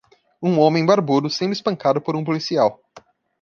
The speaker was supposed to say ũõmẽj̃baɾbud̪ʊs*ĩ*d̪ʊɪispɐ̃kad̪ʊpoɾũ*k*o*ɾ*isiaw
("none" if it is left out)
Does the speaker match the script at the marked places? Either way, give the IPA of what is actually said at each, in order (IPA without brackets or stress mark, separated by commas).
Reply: ẽ, p, l